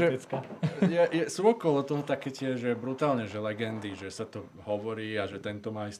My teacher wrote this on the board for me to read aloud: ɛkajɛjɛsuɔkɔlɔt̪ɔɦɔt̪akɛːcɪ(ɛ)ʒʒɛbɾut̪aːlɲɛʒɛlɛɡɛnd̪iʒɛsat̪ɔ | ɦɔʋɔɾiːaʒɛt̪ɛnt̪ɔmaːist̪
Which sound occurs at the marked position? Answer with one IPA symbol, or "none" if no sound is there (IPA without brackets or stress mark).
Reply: ɛ